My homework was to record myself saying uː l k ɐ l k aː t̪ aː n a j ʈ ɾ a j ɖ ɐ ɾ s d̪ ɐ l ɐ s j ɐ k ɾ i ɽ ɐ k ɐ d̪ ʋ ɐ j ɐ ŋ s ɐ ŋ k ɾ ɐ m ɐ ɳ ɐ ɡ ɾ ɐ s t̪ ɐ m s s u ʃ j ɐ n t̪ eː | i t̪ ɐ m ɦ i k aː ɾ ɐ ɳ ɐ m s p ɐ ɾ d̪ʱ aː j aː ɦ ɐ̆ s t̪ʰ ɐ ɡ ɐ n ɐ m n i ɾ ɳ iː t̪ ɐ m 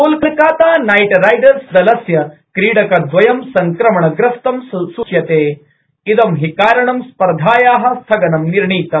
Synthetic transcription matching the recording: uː l k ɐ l k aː t̪ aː n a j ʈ ɾ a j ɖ ɐ ɾ s d̪ ɐ l ɐ s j ɐ k ɾ iː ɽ ɐ k ɐ d̪ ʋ ɐ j ɐ m s ɐ ŋ k ɾ ɐ m ɐ ɳ ɐ ɡ ɾ ɐ s t̪ ɐ m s s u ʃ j ɐ t̪ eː | i d̪ ɐ m ɦ i k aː ɾ ɐ ɳ ɐ m s p ɐ ɾ d̪ʱ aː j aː ɦ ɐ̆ s t̪ʰ ɐ ɡ ɐ n ɐ m n i ɾ ɳ iː t̪ ɐ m

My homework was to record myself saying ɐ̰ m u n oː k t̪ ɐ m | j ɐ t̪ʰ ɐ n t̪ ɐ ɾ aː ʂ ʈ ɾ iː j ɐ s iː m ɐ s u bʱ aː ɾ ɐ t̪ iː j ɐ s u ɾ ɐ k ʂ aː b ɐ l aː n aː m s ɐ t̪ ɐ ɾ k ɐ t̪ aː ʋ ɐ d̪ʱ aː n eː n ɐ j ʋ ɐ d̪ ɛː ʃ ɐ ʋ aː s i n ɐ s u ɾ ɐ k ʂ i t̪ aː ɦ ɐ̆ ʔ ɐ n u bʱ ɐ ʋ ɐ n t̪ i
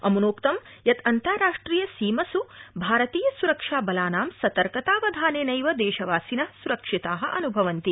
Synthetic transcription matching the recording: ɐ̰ m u n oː k t̪ ɐ m | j ɐ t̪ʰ ɐ n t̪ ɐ ɾ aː ʂ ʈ ɾ iː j ɐ s iː m ɐ s u bʱ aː ɾ ɐ t̪ iː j ɐ s u ɾ ɐ k ʂ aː b ɐ l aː n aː m s ɐ t̪ ɐ ɾ k ɐ t̪ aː ʋ ɐ d̪ʱ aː n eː n ɐ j ʋ ɐ d̪ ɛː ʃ ɐ ʋ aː s i n ɐ s u ɾ ɐ k ʂ i t̪ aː ɦ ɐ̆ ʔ ɐ n u bʱ ɐ ʋ ɐ n t̪ i

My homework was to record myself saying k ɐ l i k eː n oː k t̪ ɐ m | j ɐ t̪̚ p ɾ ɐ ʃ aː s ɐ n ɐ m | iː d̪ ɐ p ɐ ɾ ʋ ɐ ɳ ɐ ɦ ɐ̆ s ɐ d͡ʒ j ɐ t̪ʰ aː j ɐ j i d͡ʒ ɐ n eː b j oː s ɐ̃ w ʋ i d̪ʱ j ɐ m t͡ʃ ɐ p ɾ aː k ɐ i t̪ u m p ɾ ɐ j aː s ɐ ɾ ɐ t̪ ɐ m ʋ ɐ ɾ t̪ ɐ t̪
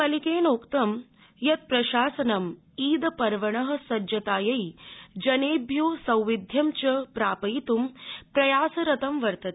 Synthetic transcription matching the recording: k ɐ l i k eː n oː k t̪ ɐ m | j ɐ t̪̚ p ɾ ɐ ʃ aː s ɐ n ɐ m | iː d̪ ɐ p ɐ ɾ ʋ ɐ ɳ ɐ ɦ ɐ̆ s ɐ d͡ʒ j ɐ t̪ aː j ɐ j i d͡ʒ ɐ n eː b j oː s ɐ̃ w ʋ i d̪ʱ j ɐ m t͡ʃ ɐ p ɾ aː p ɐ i t̪ u m p ɾ ɐ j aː s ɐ ɾ ɐ t̪ ɐ m ʋ ɐ ɾ t̪ ɐ t̪

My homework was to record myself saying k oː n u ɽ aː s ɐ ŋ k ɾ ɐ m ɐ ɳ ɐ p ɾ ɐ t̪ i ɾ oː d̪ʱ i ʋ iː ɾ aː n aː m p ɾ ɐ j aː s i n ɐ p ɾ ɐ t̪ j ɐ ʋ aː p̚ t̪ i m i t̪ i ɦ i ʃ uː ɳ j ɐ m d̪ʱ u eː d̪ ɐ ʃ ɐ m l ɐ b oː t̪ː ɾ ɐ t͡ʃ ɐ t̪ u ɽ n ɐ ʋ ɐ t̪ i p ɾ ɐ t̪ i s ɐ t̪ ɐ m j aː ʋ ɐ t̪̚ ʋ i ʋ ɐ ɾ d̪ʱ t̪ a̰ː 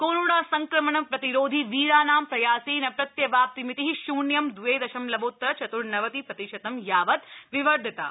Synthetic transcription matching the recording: k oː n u ɽ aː s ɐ ŋ k ɾ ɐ m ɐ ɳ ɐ p ɾ ɐ t̪ i ɾ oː d̪ʱ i ʋ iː ɾ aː n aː m p ɾ ɐ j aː s i n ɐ p ɾ ɐ t̪ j ɐ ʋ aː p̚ t̪ i m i t̪ i ɦ i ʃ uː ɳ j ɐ m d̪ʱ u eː d̪ ɐ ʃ ɐ m l ɐ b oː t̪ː ɾ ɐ t͡ʃ ɐ t̪ u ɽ n ɐ ʋ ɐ t̪ i p ɾ ɐ t̪ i ʃ ɐ t̪ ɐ m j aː ʋ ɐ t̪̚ ʋ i ʋ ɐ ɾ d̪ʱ t̪ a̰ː

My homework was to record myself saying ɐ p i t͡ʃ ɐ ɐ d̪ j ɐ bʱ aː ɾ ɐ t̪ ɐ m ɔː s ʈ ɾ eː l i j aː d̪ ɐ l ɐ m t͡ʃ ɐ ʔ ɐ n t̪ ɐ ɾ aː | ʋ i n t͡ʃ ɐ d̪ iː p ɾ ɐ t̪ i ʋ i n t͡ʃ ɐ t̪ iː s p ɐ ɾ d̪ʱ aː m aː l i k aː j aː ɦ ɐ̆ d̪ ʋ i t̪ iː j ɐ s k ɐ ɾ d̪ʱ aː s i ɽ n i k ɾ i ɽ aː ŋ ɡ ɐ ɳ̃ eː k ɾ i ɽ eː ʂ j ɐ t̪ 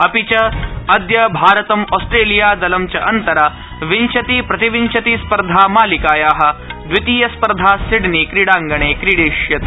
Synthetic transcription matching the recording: ɐ p i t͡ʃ ɐ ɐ d̪ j ɐ bʱ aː ɾ ɐ t̪ ɐ m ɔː s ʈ ɾ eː l i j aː d̪ ɐ l ɐ m t͡ʃ ɐ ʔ ɐ n t̪ ɐ ɾ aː | ʋ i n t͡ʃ ɐ t̪ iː p ɾ ɐ t̪ i ʋ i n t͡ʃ ɐ t̪ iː s p ɐ ɾ d̪ʱ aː m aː l i k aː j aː ɦ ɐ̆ d̪ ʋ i t̪ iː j ɐ s p ɐ ɾ d̪ʱ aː s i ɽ n i k ɾ i ɽ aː ŋ ɡ ɐ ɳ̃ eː k ɾ i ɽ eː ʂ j ɐ t̪

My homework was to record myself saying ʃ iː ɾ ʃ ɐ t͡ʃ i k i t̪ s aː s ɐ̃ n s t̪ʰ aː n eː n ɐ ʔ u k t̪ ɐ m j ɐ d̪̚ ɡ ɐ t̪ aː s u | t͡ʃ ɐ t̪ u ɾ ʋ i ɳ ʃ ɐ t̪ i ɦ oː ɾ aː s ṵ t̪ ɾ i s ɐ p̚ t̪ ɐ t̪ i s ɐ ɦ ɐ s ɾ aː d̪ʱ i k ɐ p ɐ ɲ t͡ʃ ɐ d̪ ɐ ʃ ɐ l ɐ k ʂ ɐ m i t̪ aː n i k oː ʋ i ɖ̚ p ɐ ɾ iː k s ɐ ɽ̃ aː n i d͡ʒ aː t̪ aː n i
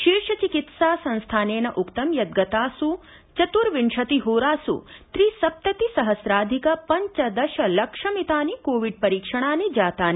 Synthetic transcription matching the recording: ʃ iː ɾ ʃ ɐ t͡ʃ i k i t̪ s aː s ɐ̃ n s t̪ʰ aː n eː n ɐ ʔ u k t̪ ɐ m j ɐ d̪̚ ɡ ɐ t̪ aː s u | t͡ʃ ɐ t̪ u ɾ ʋ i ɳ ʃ ɐ t̪ i ɦ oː ɾ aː s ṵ t̪ ɾ i s ɐ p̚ t̪ ɐ t̪ i s ɐ ɦ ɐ s ɾ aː d̪ʱ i k ɐ p ɐ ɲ t͡ʃ ɐ d̪ ɐ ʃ ɐ l ɐ k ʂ ɐ m i t̪ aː n i k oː ʋ i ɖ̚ p ɐ ɾ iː k ʂ ɐ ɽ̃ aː n i d͡ʒ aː t̪ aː n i

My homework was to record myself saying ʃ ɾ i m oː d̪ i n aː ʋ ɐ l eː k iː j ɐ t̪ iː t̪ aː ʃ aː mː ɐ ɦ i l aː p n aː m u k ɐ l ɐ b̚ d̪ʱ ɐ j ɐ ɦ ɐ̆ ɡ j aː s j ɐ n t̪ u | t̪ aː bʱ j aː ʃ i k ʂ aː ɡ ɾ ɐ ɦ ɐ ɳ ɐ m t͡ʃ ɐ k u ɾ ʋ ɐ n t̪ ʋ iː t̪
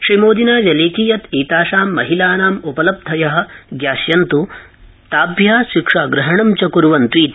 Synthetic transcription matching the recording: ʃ ɾ i m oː d̪ i n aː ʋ ɐ l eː k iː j ɐ t̪ iː t̪ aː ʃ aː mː ɐ ɦ i l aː n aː m u p ɐ l ɐ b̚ d̪ʱ ɐ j ɐ ɦ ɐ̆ ɡ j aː s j ɐ n t̪ u | t̪ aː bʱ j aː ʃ i k ʂ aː ɡ ɾ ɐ ɦ ɐ ɳ ɐ m t͡ʃ ɐ k u ɾ ʋ ɐ n t̪ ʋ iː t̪

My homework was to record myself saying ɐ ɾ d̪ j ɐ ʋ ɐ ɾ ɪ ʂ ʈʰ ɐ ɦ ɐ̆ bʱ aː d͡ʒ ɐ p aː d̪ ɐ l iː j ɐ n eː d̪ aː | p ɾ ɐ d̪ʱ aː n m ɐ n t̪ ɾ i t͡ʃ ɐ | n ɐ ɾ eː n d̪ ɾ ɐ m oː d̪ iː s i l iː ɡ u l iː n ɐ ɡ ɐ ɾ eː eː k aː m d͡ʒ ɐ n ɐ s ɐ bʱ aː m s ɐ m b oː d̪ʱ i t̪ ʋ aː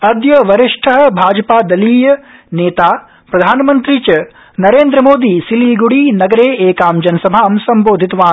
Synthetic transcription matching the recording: ɐ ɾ d̪ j ɐ ʋ ɐ ɾ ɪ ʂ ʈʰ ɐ ɦ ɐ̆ bʱ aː d͡ʒ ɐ p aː d̪ ɐ l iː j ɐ n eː t̪ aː | p ɾ ɐ d̪ʱ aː n m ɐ n t̪ ɾ i t͡ʃ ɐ | n ɐ ɾ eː n d̪ ɾ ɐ m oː d̪ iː s i l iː ɡ u ɽ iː n ɐ ɡ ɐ ɾ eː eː k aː m d͡ʒ ɐ n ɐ s ɐ bʱ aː m s ɐ m b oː d̪ʱ i t̪ ʋ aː

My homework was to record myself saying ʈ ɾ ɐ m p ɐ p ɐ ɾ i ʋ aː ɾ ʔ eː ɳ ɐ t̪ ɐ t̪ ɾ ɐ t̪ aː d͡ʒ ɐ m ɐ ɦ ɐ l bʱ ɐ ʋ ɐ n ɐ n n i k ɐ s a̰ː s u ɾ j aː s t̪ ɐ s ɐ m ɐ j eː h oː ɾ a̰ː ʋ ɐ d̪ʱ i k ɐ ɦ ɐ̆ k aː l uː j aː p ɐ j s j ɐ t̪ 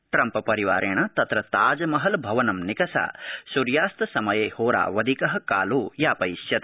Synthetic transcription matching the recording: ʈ ɾ ɐ m p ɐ p ɐ ɾ i ʋ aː ɾ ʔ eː ɳ ɐ t̪ ɐ t̪ ɾ ɐ t̪ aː d͡ʒ ɐ m ɐ ɦ ɐ l bʱ ɐ ʋ ɐ n ɐ m n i k ɐ s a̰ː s u ɾ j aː s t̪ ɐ s ɐ m ɐ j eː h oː ɾ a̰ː ʋ ɐ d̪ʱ i k ɐ ɦ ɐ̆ k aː l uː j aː p ɐ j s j ɐ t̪

